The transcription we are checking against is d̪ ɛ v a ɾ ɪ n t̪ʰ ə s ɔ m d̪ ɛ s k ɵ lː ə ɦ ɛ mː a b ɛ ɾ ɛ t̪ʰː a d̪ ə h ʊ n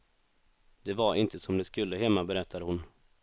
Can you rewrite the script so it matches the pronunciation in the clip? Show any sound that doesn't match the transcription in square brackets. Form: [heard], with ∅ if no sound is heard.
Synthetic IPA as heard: d̪ ɛ v a ɾ ɪ n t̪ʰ ə s ɔ m d̪ ɛ s k ɵ lː ə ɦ ɛ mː a b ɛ ɾ ɛ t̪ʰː a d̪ ə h ʊ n